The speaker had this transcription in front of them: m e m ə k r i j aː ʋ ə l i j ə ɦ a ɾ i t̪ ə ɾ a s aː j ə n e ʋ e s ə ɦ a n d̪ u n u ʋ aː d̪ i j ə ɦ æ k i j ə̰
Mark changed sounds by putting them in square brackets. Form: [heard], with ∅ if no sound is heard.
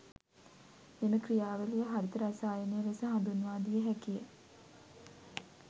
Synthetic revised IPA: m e m ə k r i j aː ʋ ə l i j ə ɦ a ɾ i t̪ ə ɾ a s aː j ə n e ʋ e s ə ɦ a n d̪ u n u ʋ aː d̪ i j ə ɦ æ k i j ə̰